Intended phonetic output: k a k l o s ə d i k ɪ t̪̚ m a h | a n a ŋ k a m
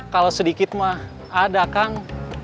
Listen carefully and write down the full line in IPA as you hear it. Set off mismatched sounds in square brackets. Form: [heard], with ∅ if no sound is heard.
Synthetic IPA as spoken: k a [∅] l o s ə d i k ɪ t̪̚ m a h | a [d] a [∅] k a [ŋ]